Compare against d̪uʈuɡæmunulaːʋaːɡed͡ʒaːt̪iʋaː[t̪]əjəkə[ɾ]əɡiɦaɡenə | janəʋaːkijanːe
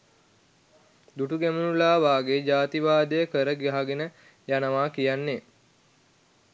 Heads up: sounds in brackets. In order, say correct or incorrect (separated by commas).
incorrect, correct